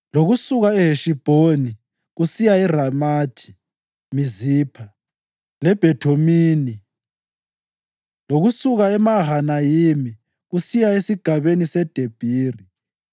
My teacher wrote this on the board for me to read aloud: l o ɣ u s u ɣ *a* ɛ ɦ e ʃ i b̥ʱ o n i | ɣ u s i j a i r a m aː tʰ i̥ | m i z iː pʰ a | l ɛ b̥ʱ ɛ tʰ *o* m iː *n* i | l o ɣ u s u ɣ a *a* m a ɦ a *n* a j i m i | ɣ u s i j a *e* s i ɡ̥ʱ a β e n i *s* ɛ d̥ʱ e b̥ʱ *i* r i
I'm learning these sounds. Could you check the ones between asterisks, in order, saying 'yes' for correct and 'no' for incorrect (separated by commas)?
yes, yes, yes, no, yes, yes, yes, no